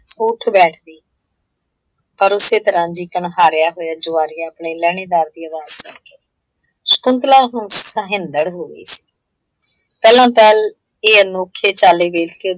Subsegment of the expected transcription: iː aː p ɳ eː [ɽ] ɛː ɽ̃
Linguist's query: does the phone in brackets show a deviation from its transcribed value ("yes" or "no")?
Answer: yes